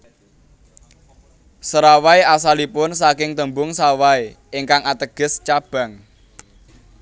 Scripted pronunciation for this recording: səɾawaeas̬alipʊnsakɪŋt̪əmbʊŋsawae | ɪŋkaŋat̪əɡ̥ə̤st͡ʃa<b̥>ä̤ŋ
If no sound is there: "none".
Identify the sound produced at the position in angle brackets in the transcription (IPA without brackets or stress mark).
b̥